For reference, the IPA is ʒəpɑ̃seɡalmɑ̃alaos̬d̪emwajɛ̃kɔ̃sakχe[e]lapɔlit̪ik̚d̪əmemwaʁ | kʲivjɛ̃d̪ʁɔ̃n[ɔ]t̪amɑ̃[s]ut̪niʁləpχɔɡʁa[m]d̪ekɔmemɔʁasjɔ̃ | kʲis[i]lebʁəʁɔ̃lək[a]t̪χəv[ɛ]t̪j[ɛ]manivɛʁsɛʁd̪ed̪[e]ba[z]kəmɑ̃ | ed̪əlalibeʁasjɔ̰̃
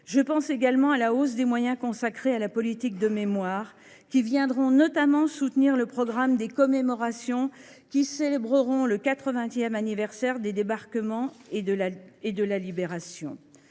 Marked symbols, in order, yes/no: no, yes, yes, yes, no, yes, no, yes, yes, no

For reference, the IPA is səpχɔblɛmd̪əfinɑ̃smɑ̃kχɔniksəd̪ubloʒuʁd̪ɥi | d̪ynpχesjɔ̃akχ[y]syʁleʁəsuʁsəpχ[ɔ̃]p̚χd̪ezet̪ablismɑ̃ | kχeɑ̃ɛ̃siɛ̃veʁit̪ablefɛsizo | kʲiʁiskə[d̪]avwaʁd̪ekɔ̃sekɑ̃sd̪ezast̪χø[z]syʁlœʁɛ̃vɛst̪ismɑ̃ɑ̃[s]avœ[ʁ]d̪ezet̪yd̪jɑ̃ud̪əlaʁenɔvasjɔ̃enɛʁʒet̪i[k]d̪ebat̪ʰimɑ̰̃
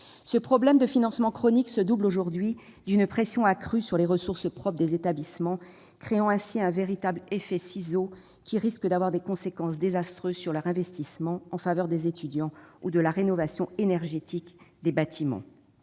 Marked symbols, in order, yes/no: yes, no, yes, yes, no, yes, yes

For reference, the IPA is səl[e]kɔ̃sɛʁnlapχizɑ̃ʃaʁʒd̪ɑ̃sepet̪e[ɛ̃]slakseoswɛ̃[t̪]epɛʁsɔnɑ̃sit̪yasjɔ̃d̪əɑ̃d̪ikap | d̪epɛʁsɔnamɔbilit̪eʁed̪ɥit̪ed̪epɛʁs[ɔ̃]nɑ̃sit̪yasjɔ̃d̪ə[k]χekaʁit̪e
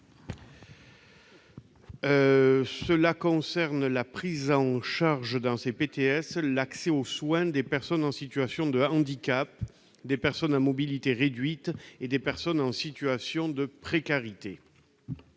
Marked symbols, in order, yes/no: no, no, no, no, no

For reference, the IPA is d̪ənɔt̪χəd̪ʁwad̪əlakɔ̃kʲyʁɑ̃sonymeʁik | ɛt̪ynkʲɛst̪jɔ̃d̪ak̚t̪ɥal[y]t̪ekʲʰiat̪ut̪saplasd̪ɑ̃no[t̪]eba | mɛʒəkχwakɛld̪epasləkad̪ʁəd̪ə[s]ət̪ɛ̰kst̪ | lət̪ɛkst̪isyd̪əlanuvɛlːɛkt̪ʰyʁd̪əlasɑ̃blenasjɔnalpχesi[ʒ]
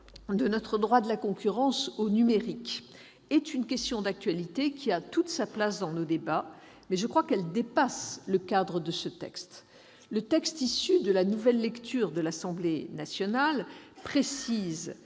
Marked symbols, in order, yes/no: no, no, yes, no

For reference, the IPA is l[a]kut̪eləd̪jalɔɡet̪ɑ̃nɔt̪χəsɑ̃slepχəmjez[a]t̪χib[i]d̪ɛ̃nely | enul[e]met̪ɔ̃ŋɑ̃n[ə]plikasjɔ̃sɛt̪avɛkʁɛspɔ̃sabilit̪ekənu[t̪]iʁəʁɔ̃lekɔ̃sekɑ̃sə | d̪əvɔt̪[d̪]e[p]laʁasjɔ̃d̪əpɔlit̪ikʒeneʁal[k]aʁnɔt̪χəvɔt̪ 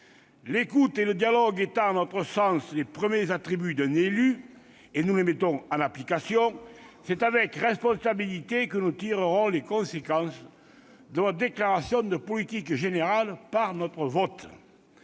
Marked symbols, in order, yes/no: no, yes, no, yes, no, yes, yes, no, no

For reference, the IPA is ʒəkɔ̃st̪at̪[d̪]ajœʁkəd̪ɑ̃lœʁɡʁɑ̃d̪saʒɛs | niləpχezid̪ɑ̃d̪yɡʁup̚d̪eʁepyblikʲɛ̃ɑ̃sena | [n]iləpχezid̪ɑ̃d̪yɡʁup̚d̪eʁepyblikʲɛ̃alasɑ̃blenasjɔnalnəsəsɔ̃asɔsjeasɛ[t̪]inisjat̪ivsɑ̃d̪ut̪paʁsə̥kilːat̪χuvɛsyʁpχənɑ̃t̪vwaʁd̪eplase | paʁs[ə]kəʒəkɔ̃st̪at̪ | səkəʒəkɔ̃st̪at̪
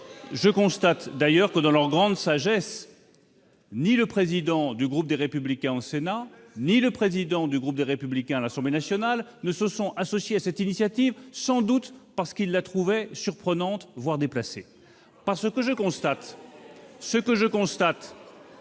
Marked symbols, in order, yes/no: yes, yes, yes, yes

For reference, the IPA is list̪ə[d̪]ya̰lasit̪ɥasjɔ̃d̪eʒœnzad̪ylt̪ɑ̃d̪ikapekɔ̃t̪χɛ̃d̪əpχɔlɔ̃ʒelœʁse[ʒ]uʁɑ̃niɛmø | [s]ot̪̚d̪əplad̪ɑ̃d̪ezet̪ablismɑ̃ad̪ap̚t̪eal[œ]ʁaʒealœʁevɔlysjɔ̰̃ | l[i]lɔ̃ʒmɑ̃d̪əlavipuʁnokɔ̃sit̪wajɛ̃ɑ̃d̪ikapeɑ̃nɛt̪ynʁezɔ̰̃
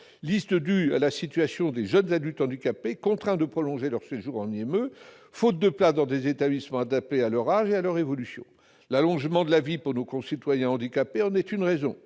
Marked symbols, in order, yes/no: yes, yes, no, yes, no

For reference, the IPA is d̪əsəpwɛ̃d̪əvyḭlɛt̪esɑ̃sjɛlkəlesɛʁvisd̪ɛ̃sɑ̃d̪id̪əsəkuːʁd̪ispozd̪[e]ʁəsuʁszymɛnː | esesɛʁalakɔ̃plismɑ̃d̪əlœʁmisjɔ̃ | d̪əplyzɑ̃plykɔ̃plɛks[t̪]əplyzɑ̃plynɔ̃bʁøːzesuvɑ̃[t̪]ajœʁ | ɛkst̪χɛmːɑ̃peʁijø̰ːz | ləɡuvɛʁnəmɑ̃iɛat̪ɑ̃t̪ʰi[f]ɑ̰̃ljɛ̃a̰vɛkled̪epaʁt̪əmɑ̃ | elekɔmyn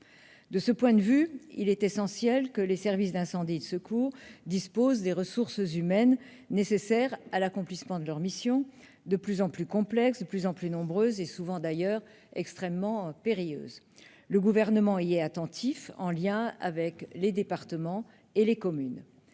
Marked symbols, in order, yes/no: yes, no, no, yes

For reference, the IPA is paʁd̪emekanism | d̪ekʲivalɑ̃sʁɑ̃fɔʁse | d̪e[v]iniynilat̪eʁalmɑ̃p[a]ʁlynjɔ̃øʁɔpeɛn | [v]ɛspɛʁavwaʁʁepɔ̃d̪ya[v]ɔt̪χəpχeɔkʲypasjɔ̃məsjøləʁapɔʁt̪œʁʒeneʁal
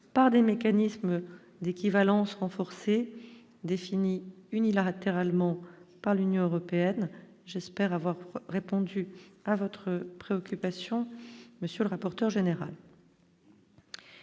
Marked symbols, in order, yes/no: no, yes, no, yes

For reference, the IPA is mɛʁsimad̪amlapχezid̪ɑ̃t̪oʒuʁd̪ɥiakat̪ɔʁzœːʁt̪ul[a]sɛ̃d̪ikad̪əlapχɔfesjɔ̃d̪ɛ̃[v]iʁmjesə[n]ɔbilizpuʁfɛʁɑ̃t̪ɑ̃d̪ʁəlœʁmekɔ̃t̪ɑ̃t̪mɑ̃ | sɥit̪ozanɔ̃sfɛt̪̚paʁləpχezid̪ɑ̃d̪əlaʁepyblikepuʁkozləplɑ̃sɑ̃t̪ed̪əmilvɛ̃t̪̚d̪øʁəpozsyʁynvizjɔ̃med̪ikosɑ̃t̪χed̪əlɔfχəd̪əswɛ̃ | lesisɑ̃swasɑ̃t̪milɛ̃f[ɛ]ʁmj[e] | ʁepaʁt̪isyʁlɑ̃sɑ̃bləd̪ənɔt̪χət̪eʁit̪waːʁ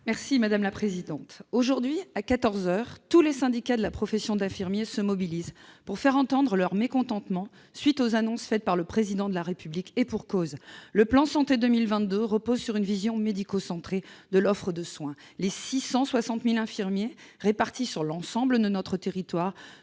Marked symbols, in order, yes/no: no, no, no, no, yes

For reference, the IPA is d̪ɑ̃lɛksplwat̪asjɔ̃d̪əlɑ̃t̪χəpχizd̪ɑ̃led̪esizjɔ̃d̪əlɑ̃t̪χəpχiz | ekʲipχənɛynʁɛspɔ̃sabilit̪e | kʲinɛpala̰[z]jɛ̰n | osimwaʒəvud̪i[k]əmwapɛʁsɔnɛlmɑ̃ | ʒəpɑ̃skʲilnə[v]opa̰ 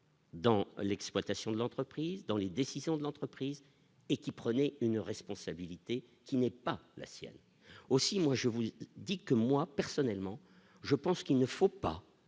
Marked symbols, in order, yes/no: no, yes, no

